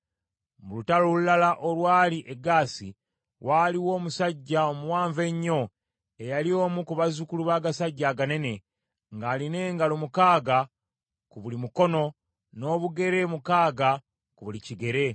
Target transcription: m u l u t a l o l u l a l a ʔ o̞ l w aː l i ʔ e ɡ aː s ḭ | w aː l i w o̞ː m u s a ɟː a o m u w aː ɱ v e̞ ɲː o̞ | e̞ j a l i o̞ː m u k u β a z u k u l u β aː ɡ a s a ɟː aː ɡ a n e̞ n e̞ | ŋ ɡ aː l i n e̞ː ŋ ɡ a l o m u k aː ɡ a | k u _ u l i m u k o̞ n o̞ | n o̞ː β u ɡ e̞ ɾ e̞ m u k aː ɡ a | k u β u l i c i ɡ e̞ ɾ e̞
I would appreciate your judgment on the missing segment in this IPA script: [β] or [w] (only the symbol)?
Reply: β